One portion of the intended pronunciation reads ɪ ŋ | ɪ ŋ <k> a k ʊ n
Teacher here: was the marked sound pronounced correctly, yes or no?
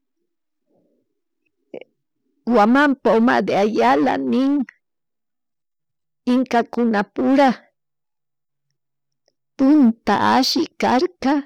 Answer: yes